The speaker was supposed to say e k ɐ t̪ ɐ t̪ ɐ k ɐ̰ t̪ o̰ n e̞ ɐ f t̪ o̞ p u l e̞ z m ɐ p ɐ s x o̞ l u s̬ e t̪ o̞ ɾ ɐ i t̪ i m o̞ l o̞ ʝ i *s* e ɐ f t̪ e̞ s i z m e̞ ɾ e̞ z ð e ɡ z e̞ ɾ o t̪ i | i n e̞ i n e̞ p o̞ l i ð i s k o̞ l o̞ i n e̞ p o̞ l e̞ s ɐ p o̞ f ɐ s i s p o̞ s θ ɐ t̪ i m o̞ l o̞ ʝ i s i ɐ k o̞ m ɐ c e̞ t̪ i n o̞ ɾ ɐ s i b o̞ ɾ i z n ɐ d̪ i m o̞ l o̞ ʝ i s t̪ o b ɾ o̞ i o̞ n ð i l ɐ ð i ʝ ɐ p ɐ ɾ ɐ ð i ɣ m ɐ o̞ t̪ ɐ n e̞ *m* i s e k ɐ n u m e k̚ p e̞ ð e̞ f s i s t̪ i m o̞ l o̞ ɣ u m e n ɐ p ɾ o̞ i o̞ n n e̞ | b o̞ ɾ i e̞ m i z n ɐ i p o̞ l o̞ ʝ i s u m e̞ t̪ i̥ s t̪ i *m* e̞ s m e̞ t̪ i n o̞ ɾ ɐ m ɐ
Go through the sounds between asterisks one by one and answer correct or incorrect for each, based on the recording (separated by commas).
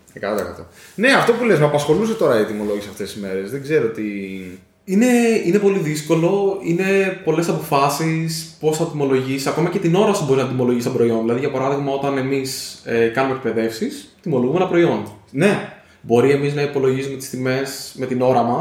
correct, correct, correct